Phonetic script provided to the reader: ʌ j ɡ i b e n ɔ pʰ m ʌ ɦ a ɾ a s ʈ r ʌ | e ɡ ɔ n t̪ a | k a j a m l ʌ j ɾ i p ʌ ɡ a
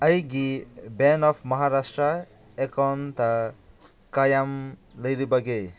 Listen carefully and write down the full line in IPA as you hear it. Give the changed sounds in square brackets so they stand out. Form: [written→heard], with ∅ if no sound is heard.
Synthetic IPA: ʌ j ɡ i b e n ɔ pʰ m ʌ ɦ a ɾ a s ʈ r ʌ | e [ɡ→k] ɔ n t̪ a | k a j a m l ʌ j ɾ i [p→b] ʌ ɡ [a→e]